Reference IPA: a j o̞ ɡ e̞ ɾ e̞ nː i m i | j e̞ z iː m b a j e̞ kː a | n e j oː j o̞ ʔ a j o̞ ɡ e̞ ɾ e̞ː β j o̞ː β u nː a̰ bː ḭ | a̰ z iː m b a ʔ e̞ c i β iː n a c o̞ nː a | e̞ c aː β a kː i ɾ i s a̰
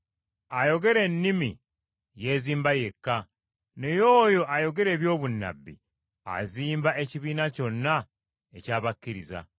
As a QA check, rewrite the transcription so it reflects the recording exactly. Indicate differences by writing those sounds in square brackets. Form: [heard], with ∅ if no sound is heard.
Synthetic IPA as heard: a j o̞ ɡ e̞ ɾ e̞ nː i m i | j e̞ z iː m b a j e̞ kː a | n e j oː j o̞ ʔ a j o̞ ɡ e̞ ɾ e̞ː β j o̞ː β u nː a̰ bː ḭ | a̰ z iː m b a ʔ e̞ c i β iː n a c o̞ nː a | e̞ c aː β a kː i ɾ i [z] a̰